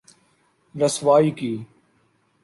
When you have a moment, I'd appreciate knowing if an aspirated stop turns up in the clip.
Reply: no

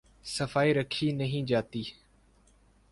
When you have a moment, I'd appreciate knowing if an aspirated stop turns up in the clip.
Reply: yes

